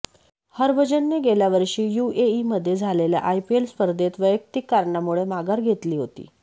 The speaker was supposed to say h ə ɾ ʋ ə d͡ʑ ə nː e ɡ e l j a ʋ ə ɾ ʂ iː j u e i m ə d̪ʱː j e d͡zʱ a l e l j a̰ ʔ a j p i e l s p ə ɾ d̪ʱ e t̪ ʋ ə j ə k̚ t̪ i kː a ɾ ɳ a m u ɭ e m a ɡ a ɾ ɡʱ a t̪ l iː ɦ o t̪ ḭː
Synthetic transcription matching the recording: h ə ɾ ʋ ə d͡ʑ ə nː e ɡ e l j a ʋ ə ɾ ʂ iː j u e i m ə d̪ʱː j e d͡zʱ a l e l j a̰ ʔ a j p i e l s p ə ɾ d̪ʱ e t̪ ʋ ə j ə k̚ t̪ i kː a ɾ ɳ a m u ɭ e m a ɡ a ɾ ɡʱ e t̪ l iː ɦ o t̪ ḭː